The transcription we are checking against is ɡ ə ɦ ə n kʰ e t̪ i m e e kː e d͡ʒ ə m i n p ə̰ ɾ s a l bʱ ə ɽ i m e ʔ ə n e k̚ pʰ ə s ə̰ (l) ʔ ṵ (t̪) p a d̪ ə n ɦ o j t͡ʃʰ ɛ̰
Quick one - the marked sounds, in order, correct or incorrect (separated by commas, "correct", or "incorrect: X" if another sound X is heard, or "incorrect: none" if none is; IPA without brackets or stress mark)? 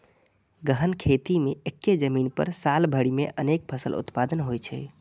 correct, correct